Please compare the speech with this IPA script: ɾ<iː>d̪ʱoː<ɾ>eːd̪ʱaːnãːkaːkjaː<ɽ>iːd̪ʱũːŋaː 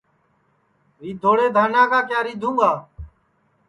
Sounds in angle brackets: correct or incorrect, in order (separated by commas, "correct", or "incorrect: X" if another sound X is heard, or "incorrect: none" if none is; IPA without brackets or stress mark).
correct, incorrect: ɽ, incorrect: ɾ